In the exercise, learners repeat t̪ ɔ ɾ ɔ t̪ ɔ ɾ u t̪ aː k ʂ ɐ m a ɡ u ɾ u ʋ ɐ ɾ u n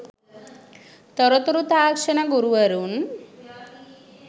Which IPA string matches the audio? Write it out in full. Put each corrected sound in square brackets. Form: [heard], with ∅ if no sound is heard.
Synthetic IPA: t̪ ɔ ɾ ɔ t̪ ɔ ɾ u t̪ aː k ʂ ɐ [n] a ɡ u ɾ u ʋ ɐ ɾ u n